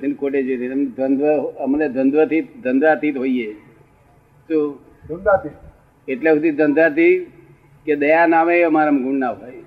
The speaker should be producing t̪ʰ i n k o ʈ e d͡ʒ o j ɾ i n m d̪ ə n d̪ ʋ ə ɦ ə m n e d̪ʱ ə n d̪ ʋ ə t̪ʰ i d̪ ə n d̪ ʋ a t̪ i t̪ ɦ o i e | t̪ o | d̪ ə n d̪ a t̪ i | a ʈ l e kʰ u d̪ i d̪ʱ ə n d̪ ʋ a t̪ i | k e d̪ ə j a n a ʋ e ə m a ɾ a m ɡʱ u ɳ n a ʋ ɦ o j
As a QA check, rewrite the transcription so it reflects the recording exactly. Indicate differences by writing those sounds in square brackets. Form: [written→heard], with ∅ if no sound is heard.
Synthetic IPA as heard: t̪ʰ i n k o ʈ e d͡ʒ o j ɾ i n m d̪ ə n d̪ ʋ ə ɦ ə m n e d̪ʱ ə n d̪ ʋ ə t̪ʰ i d̪ ə n d̪ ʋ a t̪ i t̪ ɦ o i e | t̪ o | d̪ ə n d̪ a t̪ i | [a→e] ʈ l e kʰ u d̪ i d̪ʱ ə n d̪ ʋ a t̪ i | k e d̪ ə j a n a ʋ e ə m a ɾ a m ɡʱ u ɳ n a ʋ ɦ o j